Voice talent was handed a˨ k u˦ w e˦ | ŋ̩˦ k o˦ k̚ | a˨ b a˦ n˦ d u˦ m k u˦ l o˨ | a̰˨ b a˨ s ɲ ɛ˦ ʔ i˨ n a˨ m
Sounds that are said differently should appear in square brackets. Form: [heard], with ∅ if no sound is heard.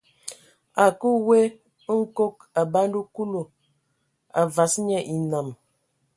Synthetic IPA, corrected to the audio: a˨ k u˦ w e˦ | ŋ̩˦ k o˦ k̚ | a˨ b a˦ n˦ d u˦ [∅] k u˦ l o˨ | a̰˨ [v] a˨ s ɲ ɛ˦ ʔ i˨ n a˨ m